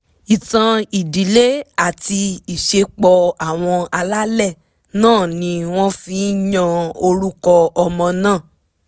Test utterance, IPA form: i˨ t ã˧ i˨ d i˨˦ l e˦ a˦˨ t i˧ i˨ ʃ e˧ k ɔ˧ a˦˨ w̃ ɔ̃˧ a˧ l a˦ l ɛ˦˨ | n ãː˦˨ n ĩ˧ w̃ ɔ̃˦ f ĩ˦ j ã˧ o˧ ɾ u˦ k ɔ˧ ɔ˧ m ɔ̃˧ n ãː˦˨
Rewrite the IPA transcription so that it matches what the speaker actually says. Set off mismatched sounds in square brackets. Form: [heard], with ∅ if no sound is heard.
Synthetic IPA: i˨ t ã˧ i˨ d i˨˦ l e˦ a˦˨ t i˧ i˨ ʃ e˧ [k͡p] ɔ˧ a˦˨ w̃ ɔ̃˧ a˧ l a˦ l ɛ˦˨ | n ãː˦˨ n ĩ˧ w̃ ɔ̃˦ f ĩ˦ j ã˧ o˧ ɾ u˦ k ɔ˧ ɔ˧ m ɔ̃˧ n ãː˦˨